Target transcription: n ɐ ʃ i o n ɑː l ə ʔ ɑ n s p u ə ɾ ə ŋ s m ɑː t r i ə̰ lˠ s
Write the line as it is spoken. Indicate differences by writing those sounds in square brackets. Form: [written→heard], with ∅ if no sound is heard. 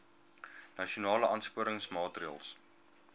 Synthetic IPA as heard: n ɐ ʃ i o n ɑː l ə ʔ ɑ n s p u ə ɾ ə ŋ s m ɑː t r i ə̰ lˠ s